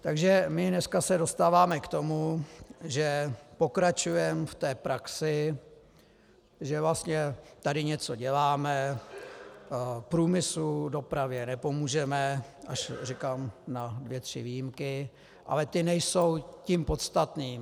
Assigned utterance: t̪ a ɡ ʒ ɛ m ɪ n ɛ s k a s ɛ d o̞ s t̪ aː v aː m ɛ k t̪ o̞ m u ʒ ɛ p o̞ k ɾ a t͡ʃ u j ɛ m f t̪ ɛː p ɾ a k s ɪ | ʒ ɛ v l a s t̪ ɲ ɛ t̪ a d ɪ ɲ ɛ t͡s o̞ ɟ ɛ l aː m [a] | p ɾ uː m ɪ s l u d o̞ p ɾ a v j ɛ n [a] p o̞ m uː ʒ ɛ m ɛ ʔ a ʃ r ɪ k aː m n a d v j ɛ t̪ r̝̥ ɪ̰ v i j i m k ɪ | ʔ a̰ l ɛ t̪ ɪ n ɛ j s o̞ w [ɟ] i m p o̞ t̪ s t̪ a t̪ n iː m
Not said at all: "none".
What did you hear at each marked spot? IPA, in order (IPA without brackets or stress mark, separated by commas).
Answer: ɛ, ɛ, c